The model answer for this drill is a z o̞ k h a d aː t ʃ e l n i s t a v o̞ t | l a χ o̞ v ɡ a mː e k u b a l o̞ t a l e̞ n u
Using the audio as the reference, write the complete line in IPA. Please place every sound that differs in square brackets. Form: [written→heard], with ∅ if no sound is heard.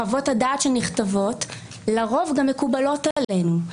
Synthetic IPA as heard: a [z→v] o̞ [k→t] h a d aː t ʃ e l n i [s→χ] t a v o̞ t | l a [χ→ʁ] o̞ v ɡ a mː e k u b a l o̞ t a l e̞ n u